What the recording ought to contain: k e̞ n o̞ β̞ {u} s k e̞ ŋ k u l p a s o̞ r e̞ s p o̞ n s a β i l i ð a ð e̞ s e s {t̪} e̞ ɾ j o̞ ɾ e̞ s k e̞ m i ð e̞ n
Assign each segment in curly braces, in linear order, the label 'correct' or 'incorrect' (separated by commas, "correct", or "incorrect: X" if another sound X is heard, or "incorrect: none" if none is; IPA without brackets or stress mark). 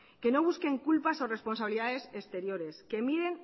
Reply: correct, correct